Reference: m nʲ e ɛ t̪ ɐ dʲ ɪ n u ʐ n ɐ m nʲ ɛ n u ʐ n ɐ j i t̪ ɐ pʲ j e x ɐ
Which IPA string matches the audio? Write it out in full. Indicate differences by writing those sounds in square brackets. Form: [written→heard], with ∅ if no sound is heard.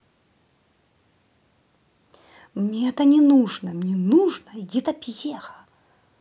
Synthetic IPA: m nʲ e ɛ t̪ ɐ [dʲ→nʲ] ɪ n u ʐ n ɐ m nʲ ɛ n u ʐ n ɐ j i t̪ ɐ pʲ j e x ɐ